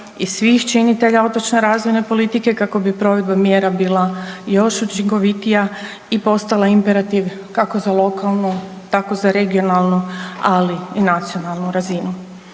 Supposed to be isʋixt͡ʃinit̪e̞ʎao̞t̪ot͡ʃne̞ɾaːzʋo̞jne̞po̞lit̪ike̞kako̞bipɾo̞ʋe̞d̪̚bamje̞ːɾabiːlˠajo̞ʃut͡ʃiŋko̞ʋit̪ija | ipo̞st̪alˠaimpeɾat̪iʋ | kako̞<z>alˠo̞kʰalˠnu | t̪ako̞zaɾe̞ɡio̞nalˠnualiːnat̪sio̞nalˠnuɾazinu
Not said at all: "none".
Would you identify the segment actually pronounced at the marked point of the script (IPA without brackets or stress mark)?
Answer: z